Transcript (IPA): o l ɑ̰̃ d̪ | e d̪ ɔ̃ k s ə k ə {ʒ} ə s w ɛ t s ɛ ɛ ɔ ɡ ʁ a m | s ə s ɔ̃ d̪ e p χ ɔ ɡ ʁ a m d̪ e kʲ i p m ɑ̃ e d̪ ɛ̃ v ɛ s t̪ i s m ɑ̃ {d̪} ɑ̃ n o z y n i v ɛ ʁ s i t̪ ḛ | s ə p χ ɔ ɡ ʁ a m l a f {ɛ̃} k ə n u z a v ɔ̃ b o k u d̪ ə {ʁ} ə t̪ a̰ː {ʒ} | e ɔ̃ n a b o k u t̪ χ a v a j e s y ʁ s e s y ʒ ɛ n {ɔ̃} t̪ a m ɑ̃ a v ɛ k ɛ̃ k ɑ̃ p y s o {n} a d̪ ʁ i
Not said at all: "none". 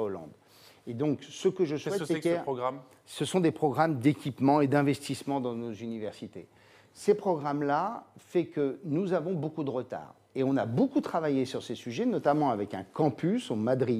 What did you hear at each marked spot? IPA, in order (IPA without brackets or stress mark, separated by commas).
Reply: ʒ, d̪, ɛ, ʁ, ʁ, ɔ, m